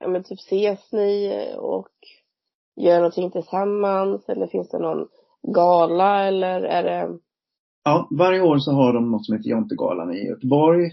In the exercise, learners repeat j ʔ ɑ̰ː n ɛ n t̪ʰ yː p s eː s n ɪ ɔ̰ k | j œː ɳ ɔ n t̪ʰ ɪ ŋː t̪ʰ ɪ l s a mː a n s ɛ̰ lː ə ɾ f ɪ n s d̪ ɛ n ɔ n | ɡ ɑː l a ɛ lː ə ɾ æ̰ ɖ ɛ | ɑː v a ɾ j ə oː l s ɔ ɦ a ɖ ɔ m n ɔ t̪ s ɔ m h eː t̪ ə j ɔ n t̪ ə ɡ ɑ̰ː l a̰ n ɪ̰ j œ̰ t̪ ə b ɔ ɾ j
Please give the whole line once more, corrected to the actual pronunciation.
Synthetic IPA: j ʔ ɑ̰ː m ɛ n t̪ʰ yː p s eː s n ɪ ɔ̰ k | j œː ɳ ɔ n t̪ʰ ɪ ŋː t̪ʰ ɪ l s a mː a n s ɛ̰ lː ə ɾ f ɪ n s d̪ ɛ n ɔ n | ɡ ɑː l a ɛ lː ə ɾ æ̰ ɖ ɛ | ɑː v a ɾ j ə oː ɾ s ɔ ɦ a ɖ ɔ m n ɔ t̪ s ɔ m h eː t̪ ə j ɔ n t̪ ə ɡ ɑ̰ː l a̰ n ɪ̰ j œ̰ t̪ ə b ɔ ɾ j